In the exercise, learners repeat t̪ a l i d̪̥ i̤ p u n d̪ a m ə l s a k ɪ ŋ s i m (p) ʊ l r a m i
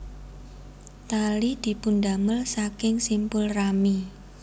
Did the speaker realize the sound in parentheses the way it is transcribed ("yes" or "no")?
yes